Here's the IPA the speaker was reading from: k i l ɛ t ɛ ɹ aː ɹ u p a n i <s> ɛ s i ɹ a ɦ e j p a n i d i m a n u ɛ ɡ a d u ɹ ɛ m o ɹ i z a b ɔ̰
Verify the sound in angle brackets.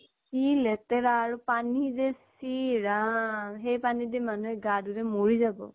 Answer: incorrect: z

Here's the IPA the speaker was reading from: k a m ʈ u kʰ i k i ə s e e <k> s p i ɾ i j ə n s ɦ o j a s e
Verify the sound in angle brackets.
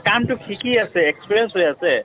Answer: correct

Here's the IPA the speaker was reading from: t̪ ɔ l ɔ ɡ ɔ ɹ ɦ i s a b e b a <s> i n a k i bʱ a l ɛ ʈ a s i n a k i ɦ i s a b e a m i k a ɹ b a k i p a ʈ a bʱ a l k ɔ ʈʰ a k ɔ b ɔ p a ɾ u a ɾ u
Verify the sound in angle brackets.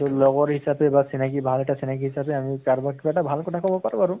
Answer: correct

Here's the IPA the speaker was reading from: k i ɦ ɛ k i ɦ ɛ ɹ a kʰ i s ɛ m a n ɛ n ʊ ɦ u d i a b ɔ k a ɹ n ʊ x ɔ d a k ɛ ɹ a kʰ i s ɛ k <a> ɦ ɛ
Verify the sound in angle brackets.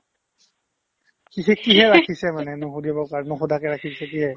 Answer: incorrect: i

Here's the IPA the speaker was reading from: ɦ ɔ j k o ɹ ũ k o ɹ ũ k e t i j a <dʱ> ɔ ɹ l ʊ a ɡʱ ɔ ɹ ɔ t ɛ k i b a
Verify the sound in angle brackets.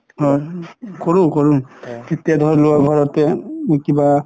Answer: correct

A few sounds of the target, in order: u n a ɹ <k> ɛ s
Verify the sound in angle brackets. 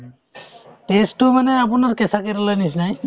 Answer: correct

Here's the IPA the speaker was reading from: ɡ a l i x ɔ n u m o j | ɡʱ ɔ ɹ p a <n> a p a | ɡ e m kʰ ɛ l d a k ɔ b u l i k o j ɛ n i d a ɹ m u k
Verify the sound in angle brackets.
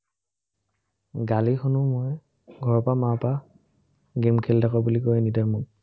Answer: incorrect: m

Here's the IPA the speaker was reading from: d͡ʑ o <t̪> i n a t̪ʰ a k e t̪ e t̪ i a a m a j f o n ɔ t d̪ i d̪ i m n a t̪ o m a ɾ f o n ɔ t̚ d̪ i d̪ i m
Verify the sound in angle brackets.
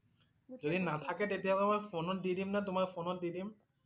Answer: incorrect: d̪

